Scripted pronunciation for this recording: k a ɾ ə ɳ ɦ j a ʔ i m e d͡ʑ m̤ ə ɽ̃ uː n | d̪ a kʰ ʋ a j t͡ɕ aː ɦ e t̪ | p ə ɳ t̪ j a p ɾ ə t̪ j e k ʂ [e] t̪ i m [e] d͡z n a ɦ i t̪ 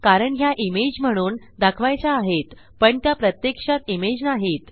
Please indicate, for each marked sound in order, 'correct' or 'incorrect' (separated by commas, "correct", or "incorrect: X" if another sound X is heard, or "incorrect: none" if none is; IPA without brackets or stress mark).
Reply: incorrect: a, correct